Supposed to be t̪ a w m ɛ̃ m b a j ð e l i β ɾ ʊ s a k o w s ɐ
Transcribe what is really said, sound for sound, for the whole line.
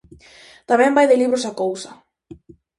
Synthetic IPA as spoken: t̪ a m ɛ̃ m b a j ð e l i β ɾ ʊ s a k o w s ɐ